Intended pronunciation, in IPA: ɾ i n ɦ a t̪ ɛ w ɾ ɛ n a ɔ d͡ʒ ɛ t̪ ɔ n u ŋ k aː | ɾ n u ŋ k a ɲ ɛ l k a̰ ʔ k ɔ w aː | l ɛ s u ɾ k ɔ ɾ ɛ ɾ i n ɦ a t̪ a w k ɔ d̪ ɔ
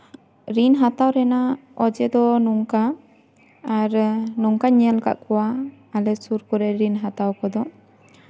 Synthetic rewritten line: ɾ i n ɦ a t̪ a w ɾ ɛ n a ɔ d͡ʒ ɛ d̪ ɔ n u ŋ k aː | ɾ n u ŋ k a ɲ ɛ l k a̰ ʔ k ɔ w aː | l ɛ s u ɾ k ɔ ɾ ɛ ɾ i n ɦ a t̪ a w k ɔ d̪ ɔ

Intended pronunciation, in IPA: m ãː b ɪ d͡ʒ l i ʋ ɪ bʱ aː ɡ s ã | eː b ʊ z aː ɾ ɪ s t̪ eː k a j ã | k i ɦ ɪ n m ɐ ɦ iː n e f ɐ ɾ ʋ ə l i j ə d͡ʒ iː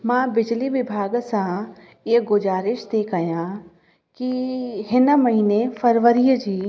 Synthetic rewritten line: m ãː b ɪ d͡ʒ l i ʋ ɪ bʱ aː ɡ s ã | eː ɡ ʊ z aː ɾ ɪ ʃ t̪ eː k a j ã | k i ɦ ɪ n m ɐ ɦ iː n e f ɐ ɾ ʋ ə ɾ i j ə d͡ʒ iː

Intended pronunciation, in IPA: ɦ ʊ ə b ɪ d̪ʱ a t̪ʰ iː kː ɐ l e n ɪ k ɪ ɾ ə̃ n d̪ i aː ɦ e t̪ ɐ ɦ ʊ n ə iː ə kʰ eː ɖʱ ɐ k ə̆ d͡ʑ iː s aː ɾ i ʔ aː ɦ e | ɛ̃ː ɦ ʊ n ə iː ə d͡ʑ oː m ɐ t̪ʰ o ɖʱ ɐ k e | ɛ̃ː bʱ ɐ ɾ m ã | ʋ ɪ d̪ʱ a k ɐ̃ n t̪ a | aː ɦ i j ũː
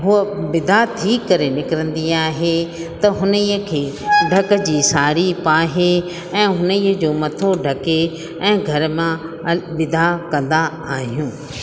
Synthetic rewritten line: ɦ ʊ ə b ɪ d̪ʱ a t̪ʰ iː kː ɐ ɾ e n ɪ k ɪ ɾ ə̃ n d̪ i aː ɦ e t̪ ɐ ɦ ʊ n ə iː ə kʰ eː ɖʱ ɐ k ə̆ d͡ʑ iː s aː ɾ i p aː ɦ e | ɛ̃ː ɦ ʊ n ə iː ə d͡ʑ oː m ɐ t̪ʰ o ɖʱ ɐ k e | ɛ̃ː ɡʱ ɐ ɾ m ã | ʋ ɪ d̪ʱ a k ɐ̃ n d̪ a | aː ɦ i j ũː

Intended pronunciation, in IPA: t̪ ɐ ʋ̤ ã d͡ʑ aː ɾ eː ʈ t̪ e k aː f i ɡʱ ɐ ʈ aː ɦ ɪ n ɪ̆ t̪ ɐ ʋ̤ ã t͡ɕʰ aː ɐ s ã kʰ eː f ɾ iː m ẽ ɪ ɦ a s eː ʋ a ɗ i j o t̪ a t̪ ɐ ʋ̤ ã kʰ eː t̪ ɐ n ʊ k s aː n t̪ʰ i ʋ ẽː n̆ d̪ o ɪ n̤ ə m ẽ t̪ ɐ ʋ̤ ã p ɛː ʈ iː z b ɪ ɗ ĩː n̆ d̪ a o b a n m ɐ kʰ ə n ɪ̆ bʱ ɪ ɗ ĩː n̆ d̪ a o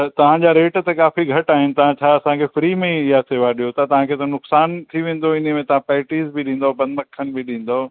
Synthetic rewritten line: t̪ ɐ ʋ̤ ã d͡ʑ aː ɾ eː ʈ t̪ e k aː f i ɡʱ ɐ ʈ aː ɦ ɪ n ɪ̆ t̪ ɐ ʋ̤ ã t͡ɕʰ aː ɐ s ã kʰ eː f ɾ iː m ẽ ɪ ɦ a s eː ʋ a ɗ i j o t̪ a t̪ ɐ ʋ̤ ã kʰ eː t̪ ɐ n ʊ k s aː n t̪ʰ i ʋ ẽː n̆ d̪ o ɪ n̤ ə m ẽ t̪ ɐ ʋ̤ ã p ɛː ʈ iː z b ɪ ɗ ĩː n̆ d̪ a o b ɐ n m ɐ kʰ ə n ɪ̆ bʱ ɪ ɗ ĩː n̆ d̪ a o

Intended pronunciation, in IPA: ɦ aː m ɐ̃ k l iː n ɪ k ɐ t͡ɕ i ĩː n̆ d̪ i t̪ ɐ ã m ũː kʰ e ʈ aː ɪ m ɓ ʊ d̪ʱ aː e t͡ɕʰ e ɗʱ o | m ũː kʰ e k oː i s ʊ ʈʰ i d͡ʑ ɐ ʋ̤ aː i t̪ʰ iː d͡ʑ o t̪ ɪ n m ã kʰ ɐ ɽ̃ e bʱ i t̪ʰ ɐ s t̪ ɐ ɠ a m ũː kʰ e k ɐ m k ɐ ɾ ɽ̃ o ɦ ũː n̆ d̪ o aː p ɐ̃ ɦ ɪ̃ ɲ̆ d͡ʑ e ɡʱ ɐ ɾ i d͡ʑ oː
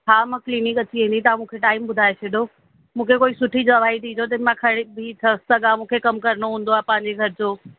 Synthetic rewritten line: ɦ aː m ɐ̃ k l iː n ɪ k ɐ t͡ɕ i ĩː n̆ d̪ i t̪ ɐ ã m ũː kʰ e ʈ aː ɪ m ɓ ʊ d̪ʱ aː e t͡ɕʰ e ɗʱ o | m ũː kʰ e k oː i s ʊ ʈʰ i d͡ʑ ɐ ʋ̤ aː i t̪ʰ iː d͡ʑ o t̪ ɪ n m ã kʰ ɐ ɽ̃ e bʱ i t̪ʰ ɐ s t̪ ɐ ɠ a m ũː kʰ e k ɐ m k ɐ ɾ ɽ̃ o ɦ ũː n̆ d̪ o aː p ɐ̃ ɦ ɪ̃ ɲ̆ d͡ʑ e ɡʱ ɐ ɾ ɪ d͡ʑ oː

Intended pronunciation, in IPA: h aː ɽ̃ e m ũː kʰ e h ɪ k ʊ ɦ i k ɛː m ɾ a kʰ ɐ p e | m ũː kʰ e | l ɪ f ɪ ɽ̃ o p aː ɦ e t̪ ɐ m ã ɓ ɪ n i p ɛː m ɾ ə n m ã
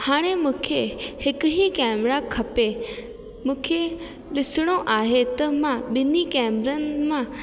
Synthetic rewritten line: h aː ɽ̃ e m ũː kʰ e h ɪ k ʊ ɦ i k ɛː m ɾ a kʰ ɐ p e | m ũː kʰ e | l ɪ s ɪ ɽ̃ o ʔ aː ɦ e t̪ ɐ m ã ɓ ɪ n i k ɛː m ɾ ə n m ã

